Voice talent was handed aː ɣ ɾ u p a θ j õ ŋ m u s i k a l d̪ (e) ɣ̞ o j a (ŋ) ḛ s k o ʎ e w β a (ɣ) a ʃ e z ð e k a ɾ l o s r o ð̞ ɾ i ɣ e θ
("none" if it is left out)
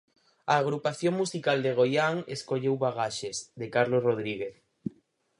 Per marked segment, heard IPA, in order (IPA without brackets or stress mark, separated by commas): e, ŋ, ɣ